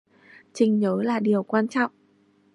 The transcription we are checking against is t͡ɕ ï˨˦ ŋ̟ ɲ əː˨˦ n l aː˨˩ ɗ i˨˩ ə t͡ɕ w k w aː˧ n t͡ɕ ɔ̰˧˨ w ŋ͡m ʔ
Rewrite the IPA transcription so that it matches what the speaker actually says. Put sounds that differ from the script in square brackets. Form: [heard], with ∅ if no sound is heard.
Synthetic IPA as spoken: t͡ɕ [ï˨˩] ŋ̟ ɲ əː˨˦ [∅] l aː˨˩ ɗ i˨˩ ə [∅] w k w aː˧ n t͡ɕ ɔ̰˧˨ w ŋ͡m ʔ